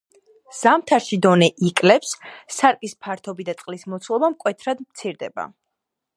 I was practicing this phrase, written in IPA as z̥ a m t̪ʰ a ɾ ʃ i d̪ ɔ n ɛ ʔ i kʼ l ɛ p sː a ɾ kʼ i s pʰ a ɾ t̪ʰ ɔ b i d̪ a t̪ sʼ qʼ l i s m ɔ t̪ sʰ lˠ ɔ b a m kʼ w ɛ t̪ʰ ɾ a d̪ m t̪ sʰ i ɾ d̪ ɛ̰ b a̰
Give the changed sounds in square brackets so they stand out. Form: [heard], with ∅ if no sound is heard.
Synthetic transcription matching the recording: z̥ a m t̪ʰ a ɾ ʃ i d̪ ɔ n ɛ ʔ i kʼ l ɛ p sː a ɾ kʼ i s pʰ a ɾ t̪ʰ ɔ b i d̪ a t̪ sʼ qʼ l i s m ɔ t̪ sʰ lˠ ɔ b a m kʼ w ɛ t̪ʰ ɾ a d̪ m t̪ sʰ i ɾ d̪ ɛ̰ b a̰